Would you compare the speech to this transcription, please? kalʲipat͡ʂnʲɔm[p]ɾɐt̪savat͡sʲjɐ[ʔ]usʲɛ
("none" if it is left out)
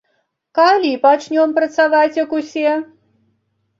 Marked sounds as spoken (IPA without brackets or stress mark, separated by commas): p, k